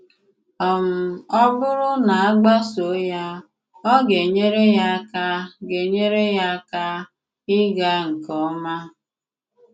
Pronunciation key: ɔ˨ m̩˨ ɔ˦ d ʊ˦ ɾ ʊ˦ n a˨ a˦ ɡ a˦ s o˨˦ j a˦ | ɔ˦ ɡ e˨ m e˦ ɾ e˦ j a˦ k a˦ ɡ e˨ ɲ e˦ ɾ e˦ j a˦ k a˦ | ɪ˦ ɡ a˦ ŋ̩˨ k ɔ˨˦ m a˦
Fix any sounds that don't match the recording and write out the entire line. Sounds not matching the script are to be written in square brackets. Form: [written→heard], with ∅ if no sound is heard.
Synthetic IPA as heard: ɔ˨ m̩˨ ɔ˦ [d→b] ʊ˦ ɾ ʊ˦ n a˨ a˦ [ɡ→ɡ͡b] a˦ s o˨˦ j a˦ | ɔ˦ ɡ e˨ [m→ɲ] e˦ ɾ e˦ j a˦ k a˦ ɡ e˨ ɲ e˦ ɾ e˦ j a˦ k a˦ | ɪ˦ ɡ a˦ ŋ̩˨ k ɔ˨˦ m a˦